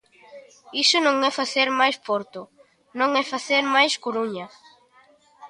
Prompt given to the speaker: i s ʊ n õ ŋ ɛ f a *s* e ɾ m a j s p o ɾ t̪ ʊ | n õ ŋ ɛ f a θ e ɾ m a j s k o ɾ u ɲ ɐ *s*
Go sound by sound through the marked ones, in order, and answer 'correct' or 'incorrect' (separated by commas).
incorrect, incorrect